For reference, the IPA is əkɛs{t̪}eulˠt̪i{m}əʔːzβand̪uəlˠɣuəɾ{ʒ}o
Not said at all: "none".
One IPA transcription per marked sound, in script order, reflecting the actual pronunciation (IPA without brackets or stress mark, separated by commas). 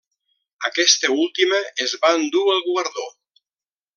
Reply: t̪, m, ð